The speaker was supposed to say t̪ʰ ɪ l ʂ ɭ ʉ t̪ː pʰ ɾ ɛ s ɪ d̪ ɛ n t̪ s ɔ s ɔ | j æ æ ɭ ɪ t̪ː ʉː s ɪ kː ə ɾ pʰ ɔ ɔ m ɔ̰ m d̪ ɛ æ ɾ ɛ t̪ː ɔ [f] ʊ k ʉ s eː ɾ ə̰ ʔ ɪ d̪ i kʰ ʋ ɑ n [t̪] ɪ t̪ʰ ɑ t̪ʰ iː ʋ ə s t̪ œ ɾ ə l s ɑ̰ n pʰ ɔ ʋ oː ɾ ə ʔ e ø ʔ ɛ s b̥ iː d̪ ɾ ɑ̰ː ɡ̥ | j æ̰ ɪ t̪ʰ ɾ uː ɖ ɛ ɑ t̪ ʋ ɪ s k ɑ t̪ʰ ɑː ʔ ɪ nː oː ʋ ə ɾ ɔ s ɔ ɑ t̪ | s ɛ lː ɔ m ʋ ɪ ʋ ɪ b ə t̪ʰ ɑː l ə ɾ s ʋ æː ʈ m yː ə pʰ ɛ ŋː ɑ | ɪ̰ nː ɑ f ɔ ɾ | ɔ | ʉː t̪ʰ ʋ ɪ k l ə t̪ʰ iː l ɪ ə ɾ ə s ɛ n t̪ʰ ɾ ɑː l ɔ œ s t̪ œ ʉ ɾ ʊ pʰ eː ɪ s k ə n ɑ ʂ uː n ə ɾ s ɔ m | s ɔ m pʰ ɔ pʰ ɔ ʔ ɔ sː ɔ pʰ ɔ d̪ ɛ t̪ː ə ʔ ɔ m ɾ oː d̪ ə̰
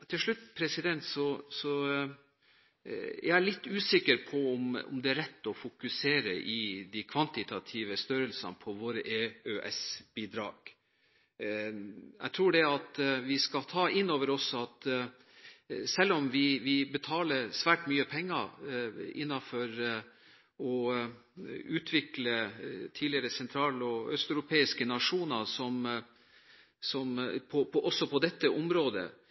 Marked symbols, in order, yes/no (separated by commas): yes, yes